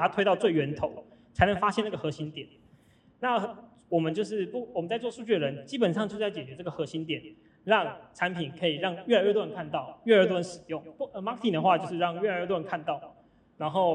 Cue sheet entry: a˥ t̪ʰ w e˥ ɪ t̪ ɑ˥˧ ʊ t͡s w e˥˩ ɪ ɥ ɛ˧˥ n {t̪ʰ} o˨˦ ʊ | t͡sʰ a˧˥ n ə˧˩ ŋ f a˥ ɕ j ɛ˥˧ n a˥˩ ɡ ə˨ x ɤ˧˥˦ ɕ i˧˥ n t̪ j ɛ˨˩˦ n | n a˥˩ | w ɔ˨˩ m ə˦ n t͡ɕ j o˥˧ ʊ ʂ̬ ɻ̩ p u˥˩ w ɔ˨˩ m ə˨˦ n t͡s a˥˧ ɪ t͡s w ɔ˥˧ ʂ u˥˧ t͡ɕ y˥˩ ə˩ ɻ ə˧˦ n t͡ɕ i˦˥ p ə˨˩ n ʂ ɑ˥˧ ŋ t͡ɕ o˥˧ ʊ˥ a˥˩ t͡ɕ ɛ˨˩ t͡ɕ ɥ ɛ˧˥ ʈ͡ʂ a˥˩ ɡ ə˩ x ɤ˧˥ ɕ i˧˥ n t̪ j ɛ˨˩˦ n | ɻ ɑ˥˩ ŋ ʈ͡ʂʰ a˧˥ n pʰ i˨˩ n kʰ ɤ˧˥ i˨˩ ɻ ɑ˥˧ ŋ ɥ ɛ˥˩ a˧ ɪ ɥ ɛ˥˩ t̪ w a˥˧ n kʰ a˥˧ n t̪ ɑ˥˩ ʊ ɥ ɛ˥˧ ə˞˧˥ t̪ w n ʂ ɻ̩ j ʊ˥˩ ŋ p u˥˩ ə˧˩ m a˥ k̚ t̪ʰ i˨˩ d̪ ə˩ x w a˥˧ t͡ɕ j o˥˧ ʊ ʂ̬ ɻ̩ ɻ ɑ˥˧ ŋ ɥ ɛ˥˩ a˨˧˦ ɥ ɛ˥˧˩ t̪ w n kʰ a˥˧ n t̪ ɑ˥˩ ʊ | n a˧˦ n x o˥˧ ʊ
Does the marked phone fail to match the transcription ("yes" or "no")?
no